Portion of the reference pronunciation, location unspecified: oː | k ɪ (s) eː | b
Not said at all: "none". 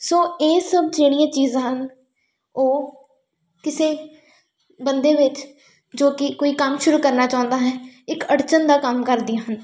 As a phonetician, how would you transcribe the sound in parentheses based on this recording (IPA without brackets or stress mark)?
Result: s